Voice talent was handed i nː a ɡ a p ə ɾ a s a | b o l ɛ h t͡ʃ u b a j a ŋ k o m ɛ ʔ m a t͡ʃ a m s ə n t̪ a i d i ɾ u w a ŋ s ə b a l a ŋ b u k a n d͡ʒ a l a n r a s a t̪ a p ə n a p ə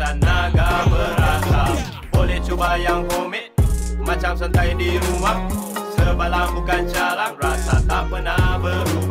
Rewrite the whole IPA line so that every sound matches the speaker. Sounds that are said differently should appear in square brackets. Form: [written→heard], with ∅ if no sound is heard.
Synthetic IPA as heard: [i→a] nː a ɡ a [p→b] ə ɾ a s a | b o l ɛ h t͡ʃ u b a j a ŋ k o m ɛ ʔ m a t͡ʃ a m s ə n t̪ a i d i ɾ u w a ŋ s ə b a l a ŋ b u k a n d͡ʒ a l a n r a s a t̪ a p ə n a [p→b] ə